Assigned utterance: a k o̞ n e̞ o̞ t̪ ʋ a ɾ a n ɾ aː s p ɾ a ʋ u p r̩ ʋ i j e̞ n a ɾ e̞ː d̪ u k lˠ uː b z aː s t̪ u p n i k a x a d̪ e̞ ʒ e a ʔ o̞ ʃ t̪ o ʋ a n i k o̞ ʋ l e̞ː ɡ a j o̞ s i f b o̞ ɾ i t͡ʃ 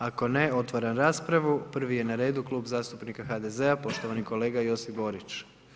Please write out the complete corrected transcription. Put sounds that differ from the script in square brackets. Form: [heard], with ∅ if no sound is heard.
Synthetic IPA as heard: a k o̞ n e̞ o̞ t̪ ʋ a ɾ a n ɾ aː s p ɾ a ʋ u p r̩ ʋ i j e̞ n a ɾ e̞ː d̪ u k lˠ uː b z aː s t̪ u p n i k a x a d̪ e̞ [z] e a [p] o̞ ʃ t̪ o ʋ a n i k o̞ [∅] l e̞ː ɡ a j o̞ s i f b o̞ ɾ i t͡ʃ